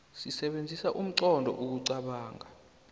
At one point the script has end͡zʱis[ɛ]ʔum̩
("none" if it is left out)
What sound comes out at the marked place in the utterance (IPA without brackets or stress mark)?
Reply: a